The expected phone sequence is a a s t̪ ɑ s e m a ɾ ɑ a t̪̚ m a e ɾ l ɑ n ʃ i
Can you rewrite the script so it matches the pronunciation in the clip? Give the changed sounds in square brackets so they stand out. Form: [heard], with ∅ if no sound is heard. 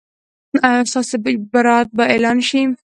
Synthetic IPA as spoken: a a s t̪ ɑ s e [b] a ɾ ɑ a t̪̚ [b] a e [∅] l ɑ n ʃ i